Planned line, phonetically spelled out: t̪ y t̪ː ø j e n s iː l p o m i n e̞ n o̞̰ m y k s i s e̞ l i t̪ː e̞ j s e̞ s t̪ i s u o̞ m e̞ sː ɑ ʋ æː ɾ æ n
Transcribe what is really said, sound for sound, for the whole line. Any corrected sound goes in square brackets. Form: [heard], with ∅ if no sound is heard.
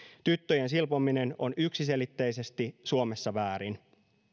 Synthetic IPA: t̪ y t̪ː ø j e n s [i] l p o m i n e̞ n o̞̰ [n] y k s i s e̞ l i t̪ː e̞ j s e̞ s t̪ i s u o̞ m e̞ sː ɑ ʋ æː ɾ [i] n